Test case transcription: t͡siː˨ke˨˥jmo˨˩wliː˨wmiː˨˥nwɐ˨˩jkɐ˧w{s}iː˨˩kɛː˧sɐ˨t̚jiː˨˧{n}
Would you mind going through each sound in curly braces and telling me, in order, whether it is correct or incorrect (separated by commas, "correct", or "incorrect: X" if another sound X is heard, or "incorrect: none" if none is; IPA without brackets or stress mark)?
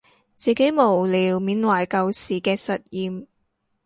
correct, incorrect: m